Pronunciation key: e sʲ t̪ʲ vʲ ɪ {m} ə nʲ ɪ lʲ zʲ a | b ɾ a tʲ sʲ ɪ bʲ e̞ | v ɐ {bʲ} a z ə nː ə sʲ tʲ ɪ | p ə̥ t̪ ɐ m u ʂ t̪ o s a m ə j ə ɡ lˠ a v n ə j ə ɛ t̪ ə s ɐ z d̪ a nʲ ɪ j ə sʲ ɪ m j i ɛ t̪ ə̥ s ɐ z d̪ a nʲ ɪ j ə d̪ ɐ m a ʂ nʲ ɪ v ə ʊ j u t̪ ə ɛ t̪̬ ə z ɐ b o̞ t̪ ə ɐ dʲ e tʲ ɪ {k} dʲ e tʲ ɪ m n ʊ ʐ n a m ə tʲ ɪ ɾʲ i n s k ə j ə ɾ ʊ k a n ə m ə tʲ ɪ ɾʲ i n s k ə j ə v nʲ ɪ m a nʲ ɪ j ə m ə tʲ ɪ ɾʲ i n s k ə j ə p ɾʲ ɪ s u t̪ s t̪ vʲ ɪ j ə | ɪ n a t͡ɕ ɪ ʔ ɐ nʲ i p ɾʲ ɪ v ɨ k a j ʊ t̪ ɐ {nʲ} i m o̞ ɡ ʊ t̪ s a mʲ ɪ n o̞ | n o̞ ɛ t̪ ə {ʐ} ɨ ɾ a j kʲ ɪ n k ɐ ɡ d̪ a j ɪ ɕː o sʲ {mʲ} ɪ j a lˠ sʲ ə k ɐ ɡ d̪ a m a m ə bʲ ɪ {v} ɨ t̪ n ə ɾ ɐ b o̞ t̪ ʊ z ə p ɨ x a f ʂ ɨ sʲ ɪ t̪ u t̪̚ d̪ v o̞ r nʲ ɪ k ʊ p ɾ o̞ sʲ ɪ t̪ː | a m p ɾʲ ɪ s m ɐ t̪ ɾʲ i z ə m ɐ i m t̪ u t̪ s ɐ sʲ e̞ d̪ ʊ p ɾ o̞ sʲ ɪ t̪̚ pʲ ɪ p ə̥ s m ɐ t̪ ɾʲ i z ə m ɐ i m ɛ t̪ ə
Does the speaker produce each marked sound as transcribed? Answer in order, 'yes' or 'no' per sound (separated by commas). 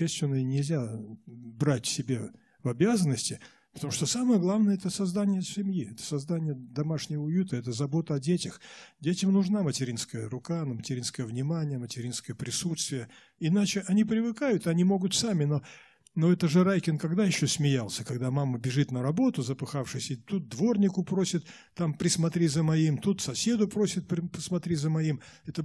no, yes, no, yes, yes, yes, no